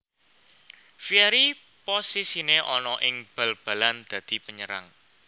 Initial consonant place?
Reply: labial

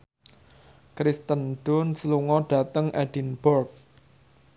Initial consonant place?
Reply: velar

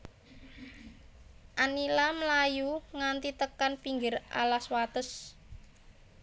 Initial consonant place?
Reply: glottal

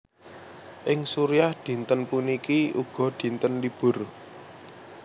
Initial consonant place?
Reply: glottal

